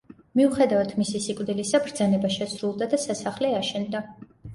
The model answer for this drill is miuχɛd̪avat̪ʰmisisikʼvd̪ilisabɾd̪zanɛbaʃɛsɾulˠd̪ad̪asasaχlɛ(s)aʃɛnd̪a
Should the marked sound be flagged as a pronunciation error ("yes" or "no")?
yes